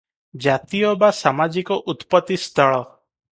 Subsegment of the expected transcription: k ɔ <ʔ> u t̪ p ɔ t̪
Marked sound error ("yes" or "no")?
no